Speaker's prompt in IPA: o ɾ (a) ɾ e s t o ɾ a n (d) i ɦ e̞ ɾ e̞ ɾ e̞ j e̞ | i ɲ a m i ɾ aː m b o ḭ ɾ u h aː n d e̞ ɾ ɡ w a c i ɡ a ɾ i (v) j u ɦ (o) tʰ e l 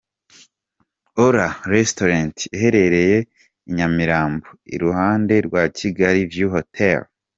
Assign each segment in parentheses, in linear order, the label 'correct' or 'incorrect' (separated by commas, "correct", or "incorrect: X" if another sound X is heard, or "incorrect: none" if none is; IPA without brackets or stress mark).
correct, incorrect: t, correct, correct